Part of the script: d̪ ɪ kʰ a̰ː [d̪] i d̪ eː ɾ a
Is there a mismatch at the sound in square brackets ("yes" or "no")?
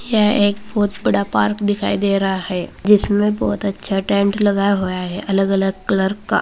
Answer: yes